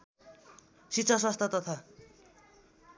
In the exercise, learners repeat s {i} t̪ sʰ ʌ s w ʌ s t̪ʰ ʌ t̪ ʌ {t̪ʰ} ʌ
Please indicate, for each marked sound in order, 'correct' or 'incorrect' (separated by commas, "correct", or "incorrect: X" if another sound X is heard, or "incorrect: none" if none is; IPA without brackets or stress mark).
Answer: correct, correct